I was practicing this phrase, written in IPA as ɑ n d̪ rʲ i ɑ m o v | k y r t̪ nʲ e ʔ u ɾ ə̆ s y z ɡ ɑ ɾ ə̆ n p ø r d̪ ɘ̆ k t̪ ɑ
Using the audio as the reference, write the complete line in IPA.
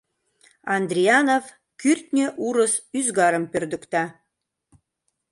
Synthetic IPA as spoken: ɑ n d̪ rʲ i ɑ n o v | k y r t̪ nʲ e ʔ u ɾ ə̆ s y z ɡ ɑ ɾ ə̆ m p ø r d̪ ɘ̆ k t̪ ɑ

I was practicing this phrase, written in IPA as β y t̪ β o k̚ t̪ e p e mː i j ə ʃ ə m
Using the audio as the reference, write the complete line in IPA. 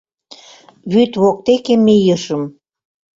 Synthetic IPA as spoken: β y t̪ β o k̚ t̪ e k e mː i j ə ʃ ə m

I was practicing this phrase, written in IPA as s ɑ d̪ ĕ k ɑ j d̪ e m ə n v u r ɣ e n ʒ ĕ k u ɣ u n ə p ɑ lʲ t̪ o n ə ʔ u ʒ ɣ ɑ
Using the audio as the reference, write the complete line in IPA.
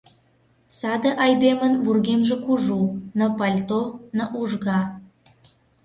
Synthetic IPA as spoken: s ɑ d̪ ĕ ʔ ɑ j d̪ e m ə n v u r ɣ e m ʒ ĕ k u ʒ u n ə p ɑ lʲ t̪ o n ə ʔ u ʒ ɣ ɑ

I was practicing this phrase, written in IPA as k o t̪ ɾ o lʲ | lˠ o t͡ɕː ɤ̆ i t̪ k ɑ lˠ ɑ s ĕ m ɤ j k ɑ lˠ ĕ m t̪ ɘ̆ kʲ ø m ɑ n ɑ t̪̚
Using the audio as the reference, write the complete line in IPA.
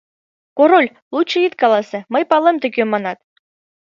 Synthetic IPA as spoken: k o ɾ o lʲ | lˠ u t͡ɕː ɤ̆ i t̪ k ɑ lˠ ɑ s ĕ m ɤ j p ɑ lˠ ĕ m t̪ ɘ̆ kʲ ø m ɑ n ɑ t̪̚

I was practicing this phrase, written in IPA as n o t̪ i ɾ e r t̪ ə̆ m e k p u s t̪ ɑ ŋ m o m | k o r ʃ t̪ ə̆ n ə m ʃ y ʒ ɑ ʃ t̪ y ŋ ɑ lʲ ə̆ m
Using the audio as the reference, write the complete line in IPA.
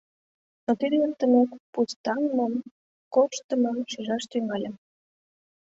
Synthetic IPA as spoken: n o t̪ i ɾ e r t̪ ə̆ m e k p u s t̪ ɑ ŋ m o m | k o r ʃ t̪ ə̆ m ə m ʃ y ʒ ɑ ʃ t̪ y ŋ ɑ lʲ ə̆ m

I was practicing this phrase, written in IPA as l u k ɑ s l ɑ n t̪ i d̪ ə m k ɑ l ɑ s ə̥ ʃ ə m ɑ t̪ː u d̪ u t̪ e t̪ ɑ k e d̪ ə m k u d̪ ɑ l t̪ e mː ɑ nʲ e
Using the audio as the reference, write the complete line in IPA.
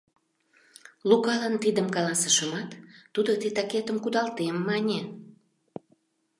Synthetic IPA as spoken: l u k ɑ l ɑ n t̪ i d̪ ə m k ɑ l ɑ s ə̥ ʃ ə m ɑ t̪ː u d̪ o t̪ e t̪ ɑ k e t̪ ə m k u d̪ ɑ l t̪ e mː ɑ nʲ e

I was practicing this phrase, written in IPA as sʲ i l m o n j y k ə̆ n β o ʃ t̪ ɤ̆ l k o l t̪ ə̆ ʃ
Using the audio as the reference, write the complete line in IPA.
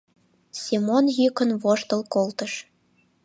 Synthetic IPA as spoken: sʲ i m o n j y k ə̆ n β o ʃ t̪ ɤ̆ l k o l t̪ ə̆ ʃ

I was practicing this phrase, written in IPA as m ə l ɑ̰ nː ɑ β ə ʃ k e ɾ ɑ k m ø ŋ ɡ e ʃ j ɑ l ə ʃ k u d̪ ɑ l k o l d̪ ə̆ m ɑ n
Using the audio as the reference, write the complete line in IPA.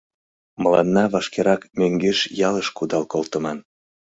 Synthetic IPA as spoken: m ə l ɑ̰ nː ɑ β ɑ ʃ k e ɾ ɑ k m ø ŋ ɡ e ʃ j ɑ l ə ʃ k u d̪ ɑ l k o l t̪ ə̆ m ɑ n

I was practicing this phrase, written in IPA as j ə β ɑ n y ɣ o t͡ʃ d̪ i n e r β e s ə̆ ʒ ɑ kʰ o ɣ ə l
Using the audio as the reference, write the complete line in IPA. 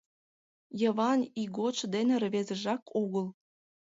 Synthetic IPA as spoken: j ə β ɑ n i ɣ o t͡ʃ d̪ e n e r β e z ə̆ ʒ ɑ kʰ o ɣ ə l

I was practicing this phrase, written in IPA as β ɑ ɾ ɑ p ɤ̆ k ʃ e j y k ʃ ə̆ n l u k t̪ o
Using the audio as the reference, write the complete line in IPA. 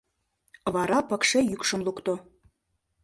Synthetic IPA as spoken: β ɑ ɾ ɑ p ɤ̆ k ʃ e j y k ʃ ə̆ m l u k t̪ o

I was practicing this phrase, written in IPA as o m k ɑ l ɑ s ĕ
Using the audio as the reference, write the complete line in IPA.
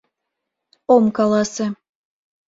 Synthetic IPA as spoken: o m k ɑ l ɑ s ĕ

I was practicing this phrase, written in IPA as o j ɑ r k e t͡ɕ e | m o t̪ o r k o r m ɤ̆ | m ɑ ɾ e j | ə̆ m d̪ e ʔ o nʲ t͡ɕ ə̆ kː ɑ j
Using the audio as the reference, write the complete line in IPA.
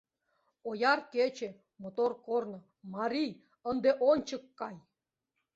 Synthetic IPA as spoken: o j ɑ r k e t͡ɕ e | m o t̪ o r k o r n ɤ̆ | m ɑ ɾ i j | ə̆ n d̪ e ʔ o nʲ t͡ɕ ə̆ kː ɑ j

